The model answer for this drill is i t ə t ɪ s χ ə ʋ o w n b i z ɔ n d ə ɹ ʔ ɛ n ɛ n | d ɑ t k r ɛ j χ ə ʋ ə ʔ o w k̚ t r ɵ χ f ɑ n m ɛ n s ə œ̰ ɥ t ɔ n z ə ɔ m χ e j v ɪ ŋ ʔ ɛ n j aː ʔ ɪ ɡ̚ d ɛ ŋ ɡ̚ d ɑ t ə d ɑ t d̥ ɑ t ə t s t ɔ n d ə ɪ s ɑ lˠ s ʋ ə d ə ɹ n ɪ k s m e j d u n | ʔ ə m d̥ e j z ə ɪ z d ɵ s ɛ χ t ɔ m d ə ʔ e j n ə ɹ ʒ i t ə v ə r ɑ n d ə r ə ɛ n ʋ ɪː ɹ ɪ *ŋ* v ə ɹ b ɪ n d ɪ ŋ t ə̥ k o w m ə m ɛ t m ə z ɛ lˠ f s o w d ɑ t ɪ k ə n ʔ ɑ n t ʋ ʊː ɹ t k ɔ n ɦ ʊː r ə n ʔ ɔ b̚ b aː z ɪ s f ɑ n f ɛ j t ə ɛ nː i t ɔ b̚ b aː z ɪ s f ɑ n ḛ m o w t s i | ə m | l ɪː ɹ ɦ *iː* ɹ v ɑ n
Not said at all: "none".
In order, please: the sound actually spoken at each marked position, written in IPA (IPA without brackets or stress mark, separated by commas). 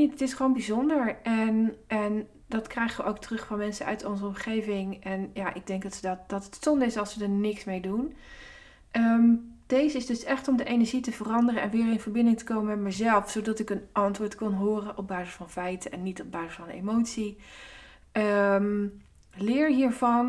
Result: n, iː